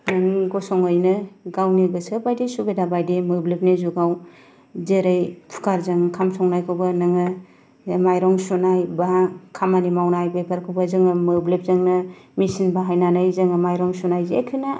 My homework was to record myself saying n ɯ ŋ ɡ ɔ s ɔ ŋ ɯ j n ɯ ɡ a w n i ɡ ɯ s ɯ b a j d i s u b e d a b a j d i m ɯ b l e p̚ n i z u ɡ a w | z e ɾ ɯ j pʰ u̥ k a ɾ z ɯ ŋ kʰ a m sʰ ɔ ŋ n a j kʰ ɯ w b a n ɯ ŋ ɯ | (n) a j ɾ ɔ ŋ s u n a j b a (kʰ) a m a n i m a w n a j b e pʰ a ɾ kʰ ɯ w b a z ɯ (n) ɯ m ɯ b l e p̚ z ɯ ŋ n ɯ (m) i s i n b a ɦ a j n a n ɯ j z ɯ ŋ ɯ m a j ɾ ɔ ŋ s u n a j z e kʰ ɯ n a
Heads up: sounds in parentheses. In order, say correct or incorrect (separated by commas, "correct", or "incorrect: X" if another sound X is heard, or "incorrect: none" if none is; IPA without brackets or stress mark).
incorrect: m, correct, incorrect: ŋ, correct